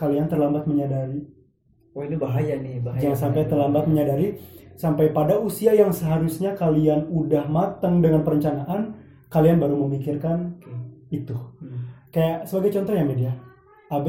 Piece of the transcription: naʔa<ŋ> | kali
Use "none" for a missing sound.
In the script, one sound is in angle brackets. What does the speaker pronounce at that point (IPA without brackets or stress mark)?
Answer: n